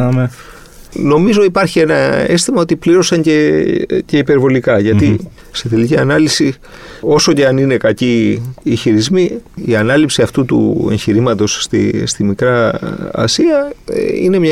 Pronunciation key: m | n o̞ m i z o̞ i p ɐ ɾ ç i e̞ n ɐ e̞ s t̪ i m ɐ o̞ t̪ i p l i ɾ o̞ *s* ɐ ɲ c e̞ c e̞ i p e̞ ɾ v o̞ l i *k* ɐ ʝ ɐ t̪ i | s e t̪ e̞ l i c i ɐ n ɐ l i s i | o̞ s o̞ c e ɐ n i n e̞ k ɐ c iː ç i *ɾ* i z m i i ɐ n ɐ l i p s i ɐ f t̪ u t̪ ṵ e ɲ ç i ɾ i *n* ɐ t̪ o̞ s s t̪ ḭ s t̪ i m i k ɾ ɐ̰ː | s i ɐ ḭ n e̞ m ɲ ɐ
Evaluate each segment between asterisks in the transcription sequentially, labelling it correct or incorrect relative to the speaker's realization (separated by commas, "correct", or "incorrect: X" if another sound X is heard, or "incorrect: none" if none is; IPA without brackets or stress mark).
correct, correct, correct, incorrect: m